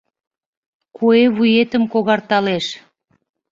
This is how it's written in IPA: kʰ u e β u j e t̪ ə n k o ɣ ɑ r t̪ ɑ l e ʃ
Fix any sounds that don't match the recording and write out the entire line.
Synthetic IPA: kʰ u e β u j e t̪ ə m k o ɣ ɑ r t̪ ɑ l e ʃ